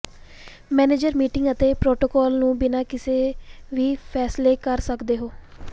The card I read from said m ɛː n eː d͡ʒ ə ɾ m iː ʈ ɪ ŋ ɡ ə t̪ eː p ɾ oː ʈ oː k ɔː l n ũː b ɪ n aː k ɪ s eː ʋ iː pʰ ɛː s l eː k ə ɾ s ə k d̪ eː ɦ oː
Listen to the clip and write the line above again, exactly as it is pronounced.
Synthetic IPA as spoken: m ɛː n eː d͡ʒ ə ɾ m iː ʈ ɪ ŋ ɡ ə t̪ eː p ɾ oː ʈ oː k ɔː l n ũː b ɪ n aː k ɪ s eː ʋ iː pʰ ɛː s l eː k ə ɾ s ə k d̪ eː ɦ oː